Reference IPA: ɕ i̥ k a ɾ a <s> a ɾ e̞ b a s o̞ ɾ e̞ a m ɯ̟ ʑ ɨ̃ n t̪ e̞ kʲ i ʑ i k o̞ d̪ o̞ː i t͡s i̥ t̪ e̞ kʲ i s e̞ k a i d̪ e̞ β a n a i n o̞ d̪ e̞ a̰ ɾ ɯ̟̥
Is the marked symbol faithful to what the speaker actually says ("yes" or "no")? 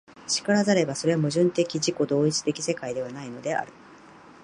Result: no